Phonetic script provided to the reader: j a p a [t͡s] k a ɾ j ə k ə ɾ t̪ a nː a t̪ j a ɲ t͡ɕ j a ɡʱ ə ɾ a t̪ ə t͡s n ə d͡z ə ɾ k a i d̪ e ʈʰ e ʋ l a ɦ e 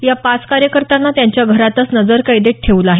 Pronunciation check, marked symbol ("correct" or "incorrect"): correct